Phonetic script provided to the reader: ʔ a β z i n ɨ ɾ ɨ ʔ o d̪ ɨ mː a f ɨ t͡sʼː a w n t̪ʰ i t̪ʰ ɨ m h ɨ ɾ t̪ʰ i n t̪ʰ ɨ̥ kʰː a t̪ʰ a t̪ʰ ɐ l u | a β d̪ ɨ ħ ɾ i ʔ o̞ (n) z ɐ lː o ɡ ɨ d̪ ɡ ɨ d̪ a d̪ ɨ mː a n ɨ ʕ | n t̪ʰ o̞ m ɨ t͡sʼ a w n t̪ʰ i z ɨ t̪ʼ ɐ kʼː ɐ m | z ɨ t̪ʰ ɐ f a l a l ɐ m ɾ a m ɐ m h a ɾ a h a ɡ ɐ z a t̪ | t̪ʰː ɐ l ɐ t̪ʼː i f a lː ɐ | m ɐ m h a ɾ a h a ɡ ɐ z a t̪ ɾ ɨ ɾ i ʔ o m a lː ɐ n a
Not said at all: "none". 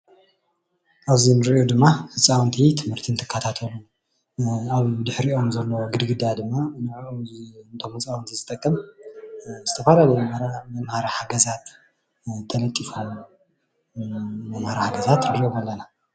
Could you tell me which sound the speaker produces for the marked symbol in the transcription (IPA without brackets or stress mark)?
m